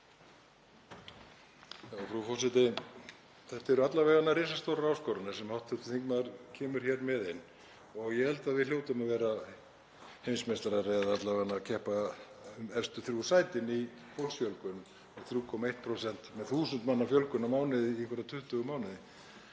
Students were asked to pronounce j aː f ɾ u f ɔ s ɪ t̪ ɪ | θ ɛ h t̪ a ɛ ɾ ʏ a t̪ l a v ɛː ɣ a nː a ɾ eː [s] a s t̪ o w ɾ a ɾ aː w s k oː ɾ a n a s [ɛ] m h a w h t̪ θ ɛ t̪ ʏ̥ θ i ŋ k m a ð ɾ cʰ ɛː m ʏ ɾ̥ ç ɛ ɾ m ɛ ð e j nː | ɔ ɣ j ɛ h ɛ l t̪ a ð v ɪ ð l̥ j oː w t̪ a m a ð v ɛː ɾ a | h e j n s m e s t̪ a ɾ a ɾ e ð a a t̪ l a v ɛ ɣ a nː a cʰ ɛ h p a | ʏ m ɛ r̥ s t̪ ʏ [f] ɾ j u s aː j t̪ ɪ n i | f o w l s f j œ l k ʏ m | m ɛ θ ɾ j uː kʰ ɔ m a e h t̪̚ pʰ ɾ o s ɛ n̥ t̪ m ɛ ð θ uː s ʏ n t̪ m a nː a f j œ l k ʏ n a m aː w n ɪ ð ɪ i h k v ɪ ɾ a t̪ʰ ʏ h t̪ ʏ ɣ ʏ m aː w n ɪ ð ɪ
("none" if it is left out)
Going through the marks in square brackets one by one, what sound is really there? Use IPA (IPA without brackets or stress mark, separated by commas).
s, ɛ, θ